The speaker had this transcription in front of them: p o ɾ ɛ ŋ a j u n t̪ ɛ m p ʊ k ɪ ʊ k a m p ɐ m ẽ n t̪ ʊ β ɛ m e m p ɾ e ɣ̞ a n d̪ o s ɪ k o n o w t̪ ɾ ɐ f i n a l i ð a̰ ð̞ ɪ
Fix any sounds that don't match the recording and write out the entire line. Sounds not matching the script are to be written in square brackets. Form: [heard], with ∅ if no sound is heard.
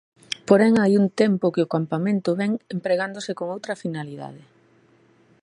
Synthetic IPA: p o ɾ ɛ ŋ a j u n t̪ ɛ m p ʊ k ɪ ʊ k a m p [a] m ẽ n t̪ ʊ β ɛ [ŋ] e m p ɾ e ɣ̞ a n d̪ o s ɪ k o [ŋ] o w t̪ ɾ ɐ f i n a l i ð a̰ ð̞ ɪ

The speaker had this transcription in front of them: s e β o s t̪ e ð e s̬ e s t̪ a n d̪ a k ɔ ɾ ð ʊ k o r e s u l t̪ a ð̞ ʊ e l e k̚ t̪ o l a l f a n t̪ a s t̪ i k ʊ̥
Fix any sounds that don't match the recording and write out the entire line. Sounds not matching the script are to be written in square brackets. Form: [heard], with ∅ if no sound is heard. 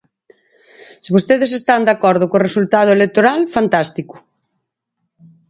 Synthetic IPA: s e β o s t̪ e ð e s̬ e s t̪ a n d̪ a k ɔ ɾ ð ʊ k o r e s u l t̪ a ð̞ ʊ e l e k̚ t̪ o [ɾ] a l f a n t̪ a s t̪ i k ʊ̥

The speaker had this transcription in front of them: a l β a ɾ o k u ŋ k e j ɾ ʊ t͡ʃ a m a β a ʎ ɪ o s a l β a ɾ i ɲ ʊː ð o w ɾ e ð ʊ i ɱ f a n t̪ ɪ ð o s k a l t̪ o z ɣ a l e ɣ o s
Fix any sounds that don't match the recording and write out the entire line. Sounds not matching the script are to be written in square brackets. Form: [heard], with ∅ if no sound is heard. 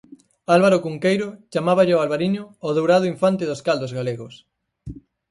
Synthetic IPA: a l β a ɾ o k u ŋ k e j ɾ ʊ t͡ʃ a m a β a ʎ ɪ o [∅] a l β a ɾ i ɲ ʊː ð o w ɾ [a] ð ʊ i ɱ f a n t̪ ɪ ð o s k a l [d̪] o z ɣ a l e ɣ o s

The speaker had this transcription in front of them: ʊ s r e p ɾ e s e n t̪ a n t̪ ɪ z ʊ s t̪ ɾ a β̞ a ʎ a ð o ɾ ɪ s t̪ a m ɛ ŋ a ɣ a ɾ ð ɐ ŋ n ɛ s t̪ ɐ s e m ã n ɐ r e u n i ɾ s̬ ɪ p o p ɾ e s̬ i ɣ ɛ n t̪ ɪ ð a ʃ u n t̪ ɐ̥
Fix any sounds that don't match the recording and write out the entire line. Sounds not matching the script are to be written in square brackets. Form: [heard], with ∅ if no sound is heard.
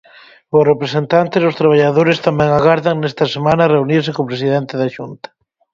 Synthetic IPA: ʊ s r e p ɾ e s e n t̪ a n t̪ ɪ z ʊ s t̪ ɾ a β̞ a ʎ a ð o ɾ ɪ s t̪ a m ɛ ŋ a ɣ a ɾ ð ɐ ŋ n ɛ s t̪ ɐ s e m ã n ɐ r e u n i ɾ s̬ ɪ [k] o p ɾ e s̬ i [ð] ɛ n t̪ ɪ ð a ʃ u n t̪ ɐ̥

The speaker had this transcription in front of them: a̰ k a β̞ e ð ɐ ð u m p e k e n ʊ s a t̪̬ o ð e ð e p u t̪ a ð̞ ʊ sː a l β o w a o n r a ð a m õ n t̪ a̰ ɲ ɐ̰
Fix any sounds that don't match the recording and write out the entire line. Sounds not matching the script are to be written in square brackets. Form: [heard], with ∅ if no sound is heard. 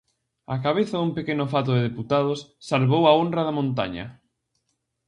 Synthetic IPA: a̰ k a β̞ e [θ] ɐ ð u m p e k e n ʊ [f] a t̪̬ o ð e ð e p u t̪ a ð̞ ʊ sː a l β o w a o n r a ð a m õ n t̪ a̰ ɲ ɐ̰

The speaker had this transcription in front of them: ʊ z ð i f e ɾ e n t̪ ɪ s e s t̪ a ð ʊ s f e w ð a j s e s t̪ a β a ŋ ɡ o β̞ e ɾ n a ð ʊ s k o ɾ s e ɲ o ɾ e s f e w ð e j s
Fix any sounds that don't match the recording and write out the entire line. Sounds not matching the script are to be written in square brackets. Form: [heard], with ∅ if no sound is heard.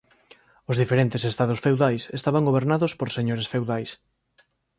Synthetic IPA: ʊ z ð i f e ɾ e n t̪ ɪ s e s t̪ a ð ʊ s f e w ð a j s e s t̪ a β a ŋ ɡ o β̞ e ɾ n a ð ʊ s [p] o ɾ s e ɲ o ɾ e s f e w ð [a] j s

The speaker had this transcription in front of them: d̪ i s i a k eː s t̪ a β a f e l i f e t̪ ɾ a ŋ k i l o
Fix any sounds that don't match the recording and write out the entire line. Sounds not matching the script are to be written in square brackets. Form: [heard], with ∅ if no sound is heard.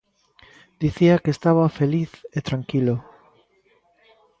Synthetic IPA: d̪ i [θ] i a k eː s t̪ a β a f e l i [θ] e t̪ ɾ a ŋ k i l o

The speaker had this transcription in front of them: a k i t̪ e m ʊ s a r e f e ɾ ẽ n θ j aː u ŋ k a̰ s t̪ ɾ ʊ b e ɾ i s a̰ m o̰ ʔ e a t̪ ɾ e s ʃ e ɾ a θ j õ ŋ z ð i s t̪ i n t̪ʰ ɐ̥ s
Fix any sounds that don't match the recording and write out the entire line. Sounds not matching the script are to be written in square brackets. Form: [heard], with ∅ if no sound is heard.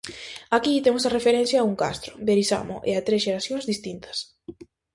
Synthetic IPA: a k i t̪ e m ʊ s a r e f e ɾ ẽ n θ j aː u ŋ k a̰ s t̪ ɾ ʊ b e ɾ i s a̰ m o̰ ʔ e a t̪ ɾ e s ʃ e ɾ a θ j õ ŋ z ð i s t̪ i n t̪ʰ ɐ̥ s

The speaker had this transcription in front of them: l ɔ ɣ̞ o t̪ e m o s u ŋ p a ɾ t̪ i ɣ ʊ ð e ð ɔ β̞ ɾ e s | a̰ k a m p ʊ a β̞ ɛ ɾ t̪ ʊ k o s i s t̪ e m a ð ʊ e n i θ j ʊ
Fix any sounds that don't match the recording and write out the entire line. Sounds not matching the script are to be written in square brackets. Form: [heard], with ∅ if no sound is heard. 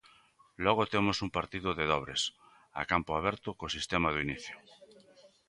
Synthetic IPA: l ɔ ɣ̞ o t̪ e m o s u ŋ p a ɾ t̪ i [ð] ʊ ð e ð ɔ β̞ ɾ e s | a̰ k a m p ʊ a β̞ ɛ ɾ t̪ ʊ k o s i s t̪ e m a ð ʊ [i] n i θ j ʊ

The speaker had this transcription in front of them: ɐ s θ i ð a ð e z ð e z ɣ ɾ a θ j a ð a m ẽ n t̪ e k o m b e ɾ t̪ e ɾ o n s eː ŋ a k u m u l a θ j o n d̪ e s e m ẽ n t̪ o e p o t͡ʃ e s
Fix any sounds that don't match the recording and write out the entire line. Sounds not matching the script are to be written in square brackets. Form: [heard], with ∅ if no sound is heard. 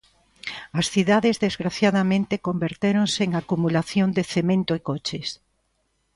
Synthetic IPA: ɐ s θ i ð a ð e z ð e z ɣ ɾ a θ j a ð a m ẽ n t̪ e k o m b e ɾ t̪ e ɾ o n s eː ŋ a k u m u l a θ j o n d̪ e [θ] e m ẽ n t̪ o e [k] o t͡ʃ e s

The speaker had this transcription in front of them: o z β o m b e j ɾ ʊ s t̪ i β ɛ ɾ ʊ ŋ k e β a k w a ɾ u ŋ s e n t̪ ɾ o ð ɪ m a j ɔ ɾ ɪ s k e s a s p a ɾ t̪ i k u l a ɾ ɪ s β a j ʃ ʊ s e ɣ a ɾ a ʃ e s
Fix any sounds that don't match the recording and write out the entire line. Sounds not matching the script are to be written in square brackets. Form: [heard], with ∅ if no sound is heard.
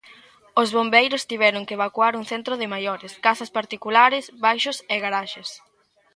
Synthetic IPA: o z β o m b e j ɾ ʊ s t̪ i β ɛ ɾ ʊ ŋ k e β a k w a ɾ u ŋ [θ] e n t̪ ɾ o ð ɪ m a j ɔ ɾ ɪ s k [a] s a s p a ɾ t̪ i k u l a ɾ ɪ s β a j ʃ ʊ s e ɣ a ɾ a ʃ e s

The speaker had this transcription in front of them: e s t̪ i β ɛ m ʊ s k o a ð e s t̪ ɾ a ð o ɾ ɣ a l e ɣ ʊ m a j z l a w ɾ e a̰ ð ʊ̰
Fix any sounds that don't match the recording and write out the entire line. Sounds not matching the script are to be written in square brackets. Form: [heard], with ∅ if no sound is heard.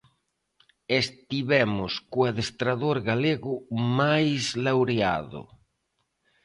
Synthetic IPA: e s t̪ i β ɛ m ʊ s k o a ð e s t̪ ɾ a ð o ɾ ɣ a l e ɣ ʊ m a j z l a w ɾ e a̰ ð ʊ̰

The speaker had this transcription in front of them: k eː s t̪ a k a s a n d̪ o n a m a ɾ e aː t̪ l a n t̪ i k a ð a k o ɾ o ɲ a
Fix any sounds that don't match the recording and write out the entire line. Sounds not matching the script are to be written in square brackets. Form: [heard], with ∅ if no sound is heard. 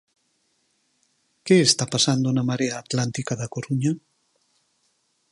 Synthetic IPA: k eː s t̪ a [p] a s a n d̪ o n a m a ɾ e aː t̪ l a n t̪ i k a ð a k o ɾ [u] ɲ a

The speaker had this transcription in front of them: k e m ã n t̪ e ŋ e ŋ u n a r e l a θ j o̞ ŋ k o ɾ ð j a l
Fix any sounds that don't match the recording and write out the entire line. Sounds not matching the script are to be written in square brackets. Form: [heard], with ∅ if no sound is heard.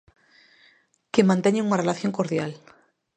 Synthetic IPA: k e m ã n t̪ e [ɲ] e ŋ u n a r e l a θ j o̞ ŋ k o ɾ ð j a l

